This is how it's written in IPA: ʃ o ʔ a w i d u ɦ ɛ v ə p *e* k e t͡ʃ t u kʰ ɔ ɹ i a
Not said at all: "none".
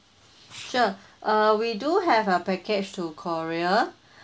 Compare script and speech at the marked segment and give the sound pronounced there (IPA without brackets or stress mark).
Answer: ɛ